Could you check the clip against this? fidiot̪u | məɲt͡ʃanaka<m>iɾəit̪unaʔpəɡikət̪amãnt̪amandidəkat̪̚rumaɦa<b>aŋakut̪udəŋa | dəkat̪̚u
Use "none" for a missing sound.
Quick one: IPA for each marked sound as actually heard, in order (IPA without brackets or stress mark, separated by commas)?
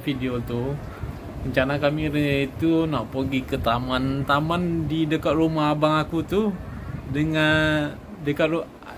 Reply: m, b